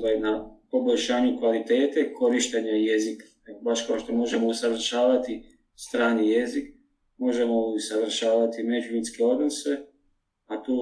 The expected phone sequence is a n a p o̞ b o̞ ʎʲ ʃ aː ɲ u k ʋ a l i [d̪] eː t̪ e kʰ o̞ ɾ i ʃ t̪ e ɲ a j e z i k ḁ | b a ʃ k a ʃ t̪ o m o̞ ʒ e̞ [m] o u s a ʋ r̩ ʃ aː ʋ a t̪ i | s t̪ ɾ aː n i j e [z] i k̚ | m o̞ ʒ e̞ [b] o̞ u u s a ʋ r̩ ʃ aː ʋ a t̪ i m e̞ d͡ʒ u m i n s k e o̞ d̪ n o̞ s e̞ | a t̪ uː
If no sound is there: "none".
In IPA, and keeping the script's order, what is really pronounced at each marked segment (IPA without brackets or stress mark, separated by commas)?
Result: t̪, m, z, m